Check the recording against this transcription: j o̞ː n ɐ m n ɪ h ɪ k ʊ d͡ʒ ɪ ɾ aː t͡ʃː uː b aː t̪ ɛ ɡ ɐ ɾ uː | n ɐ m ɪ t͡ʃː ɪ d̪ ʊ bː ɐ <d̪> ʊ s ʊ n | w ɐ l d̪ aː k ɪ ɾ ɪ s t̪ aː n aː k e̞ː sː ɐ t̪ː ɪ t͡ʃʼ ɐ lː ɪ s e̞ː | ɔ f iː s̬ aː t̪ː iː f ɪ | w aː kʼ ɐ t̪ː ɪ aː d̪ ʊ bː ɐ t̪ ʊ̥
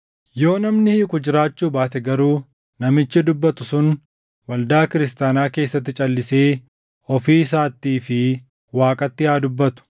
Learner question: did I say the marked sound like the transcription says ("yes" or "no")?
no